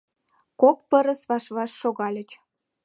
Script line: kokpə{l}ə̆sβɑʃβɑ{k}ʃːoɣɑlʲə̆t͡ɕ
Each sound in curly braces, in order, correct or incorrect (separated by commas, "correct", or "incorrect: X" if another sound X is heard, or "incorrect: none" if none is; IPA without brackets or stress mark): incorrect: ɾ, incorrect: none